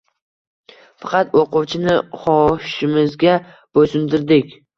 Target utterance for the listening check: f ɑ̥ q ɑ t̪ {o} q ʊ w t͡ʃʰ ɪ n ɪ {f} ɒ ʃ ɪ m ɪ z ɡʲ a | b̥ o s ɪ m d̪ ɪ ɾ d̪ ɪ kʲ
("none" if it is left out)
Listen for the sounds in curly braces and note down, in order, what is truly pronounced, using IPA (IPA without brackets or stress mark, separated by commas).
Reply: o, χ